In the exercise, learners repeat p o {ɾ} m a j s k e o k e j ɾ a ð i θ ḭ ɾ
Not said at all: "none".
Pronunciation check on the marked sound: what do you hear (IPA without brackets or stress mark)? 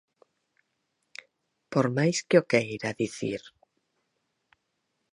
ɾ